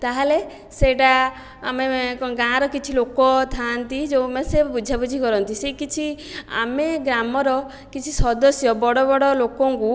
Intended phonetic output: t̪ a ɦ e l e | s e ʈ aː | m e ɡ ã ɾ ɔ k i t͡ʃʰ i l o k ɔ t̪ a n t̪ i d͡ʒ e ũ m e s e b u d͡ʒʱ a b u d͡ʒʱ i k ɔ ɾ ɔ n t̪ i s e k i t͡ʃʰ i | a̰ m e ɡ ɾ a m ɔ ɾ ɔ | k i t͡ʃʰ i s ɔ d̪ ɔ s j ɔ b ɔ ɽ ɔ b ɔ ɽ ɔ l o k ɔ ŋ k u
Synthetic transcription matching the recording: t̪ a ɦ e l e | s e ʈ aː | m e ɡ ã ɾ ɔ k i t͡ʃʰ i l o k ɔ t̪ʰ a n t̪ i d͡ʒ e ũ m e s e b u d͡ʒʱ a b u d͡ʒʱ i k ɔ ɾ ɔ n t̪ i s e k i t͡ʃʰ i | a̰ m e ɡ ɾ a m ɔ ɾ ɔ | k i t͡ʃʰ i s ɔ d̪ ɔ s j ɔ b ɔ ɽ ɔ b ɔ ɽ ɔ l o k ɔ ŋ k u